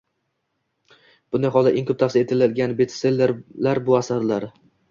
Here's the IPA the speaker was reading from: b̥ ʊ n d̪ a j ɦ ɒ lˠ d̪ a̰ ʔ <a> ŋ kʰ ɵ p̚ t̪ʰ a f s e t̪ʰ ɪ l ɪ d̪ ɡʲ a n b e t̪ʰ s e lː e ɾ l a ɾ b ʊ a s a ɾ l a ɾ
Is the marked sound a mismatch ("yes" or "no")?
yes